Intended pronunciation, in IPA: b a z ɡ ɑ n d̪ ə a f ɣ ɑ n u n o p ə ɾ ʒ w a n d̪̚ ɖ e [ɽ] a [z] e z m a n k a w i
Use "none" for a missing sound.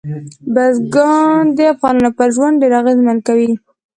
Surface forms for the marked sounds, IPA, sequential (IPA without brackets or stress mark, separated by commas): ɾ, ɣ